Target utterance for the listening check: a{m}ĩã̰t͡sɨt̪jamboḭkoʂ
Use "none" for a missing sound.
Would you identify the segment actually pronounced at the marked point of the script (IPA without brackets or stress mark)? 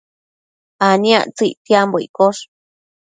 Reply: n